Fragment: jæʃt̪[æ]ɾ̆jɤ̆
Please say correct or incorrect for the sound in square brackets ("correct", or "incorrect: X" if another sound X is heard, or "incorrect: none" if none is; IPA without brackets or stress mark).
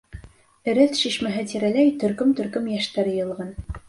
correct